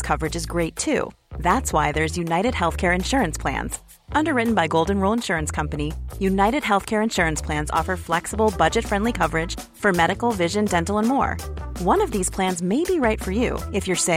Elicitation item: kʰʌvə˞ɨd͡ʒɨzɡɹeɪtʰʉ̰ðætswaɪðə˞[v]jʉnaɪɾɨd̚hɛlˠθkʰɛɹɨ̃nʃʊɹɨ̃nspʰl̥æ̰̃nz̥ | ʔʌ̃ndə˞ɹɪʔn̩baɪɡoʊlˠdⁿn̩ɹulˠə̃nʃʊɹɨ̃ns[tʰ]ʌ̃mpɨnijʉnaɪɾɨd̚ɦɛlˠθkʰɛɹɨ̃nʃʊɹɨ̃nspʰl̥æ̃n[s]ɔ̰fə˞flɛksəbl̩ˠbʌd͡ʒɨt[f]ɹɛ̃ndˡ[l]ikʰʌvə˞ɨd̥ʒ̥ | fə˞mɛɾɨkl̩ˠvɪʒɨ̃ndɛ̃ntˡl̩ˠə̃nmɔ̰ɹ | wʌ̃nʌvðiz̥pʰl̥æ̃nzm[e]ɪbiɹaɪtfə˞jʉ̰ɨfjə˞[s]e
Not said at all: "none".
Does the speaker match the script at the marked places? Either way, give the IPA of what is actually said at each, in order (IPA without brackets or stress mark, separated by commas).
z, kʰ, z, f, l, e, s